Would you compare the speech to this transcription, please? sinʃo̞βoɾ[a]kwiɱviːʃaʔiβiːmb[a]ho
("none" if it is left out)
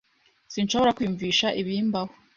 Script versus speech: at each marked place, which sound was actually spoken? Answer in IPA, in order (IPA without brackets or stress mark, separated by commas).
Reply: a, a